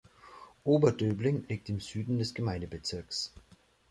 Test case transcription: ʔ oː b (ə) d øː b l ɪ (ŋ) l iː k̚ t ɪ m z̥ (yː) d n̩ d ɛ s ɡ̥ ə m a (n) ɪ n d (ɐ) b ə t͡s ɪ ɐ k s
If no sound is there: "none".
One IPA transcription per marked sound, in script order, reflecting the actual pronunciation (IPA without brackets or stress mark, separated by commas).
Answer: ɐ, ŋ, yː, none, ə